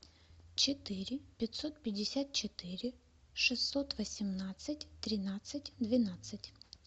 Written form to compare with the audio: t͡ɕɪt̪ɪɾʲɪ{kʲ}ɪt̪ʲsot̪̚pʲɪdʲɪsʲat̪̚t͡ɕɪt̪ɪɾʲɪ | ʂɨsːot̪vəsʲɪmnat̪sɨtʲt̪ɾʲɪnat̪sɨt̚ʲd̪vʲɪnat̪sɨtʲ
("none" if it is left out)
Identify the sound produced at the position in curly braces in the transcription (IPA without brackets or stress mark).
pʲ